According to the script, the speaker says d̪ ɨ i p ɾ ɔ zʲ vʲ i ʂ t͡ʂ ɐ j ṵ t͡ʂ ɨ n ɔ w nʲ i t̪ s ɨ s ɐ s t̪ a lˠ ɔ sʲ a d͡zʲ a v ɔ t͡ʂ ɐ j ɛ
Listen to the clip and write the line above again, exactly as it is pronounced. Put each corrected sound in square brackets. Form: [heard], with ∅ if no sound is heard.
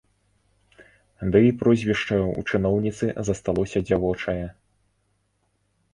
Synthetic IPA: d̪ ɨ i p ɾ ɔ zʲ vʲ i ʂ t͡ʂ ɐ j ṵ t͡ʂ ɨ n ɔ w nʲ i t̪ s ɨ [z] ɐ s t̪ a lˠ ɔ sʲ [ɐ] d͡zʲ a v ɔ t͡ʂ ɐ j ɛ